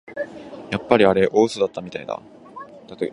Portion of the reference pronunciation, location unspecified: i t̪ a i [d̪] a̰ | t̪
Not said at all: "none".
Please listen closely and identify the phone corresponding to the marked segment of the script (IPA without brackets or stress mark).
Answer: d̪